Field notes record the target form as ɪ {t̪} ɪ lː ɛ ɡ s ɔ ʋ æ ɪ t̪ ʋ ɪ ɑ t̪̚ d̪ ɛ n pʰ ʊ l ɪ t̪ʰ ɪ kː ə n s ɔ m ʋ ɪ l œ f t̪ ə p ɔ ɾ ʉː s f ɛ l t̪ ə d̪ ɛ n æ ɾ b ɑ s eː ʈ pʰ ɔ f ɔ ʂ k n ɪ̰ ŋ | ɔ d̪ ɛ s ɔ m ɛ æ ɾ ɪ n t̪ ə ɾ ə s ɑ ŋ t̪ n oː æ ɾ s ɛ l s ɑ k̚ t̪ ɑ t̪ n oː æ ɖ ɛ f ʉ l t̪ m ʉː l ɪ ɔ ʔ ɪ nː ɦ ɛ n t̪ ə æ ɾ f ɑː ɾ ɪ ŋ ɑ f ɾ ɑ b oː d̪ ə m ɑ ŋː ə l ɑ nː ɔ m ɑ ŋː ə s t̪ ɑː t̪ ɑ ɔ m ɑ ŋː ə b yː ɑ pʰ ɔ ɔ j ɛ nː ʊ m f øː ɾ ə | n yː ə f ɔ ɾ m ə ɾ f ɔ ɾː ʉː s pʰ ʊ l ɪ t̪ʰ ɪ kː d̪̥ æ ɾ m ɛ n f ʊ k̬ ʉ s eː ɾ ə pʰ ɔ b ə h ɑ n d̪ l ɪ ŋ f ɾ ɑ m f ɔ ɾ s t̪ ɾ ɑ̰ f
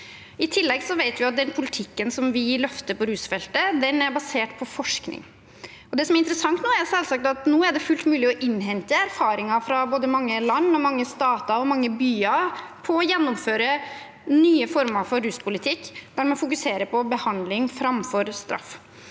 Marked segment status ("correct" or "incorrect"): incorrect